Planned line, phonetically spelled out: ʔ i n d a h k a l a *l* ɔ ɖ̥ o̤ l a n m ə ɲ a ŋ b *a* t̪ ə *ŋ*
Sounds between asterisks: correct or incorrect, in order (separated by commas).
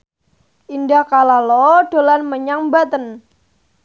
correct, correct, incorrect